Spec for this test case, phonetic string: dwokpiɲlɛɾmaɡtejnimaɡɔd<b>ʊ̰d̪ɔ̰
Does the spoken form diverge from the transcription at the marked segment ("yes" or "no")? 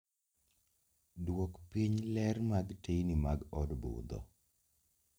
no